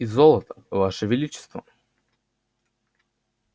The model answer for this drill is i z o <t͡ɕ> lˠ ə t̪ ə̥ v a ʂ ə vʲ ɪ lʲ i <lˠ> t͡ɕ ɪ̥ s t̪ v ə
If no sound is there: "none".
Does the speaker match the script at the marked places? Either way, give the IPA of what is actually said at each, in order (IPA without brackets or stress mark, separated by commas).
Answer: none, none